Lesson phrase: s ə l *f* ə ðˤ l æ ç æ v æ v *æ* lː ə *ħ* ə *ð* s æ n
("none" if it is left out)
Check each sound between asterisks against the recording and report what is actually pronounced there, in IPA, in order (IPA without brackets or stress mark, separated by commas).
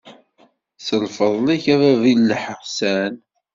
f, i, ħ, ʁ